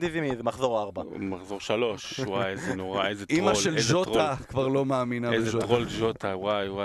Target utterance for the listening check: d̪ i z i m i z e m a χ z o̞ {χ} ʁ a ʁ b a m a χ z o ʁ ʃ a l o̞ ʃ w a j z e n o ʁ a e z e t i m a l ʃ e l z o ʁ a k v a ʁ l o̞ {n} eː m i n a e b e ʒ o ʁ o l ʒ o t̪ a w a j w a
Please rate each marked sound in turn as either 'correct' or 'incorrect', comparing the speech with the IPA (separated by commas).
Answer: incorrect, incorrect